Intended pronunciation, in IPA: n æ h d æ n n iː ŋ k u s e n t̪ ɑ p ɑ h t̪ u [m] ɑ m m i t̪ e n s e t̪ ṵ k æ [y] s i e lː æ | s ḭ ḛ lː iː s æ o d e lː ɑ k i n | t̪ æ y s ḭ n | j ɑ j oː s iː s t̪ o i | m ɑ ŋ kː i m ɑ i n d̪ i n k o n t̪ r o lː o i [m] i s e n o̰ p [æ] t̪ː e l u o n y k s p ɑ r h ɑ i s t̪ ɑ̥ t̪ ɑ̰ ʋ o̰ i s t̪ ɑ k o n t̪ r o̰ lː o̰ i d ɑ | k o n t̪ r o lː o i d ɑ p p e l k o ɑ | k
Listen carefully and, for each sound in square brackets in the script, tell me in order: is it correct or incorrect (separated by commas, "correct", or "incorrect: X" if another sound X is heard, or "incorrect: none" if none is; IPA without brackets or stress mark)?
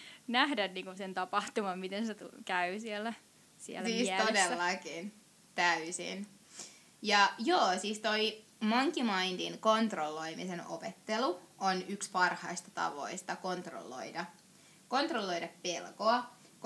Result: correct, correct, correct, incorrect: e